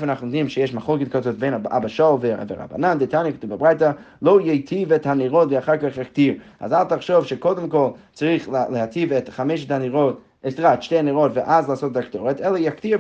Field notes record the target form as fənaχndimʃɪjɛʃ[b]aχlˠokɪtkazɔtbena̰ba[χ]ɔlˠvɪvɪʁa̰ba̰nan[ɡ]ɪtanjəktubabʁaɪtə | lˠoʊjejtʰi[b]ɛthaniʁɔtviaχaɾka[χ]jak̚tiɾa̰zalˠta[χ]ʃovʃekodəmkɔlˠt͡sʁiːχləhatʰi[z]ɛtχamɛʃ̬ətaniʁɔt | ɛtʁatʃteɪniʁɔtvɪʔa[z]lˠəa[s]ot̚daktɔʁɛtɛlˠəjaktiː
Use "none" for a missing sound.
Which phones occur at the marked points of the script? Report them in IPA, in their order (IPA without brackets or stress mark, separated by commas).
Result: m, ʃ, d, v, χ, χ, v, z, s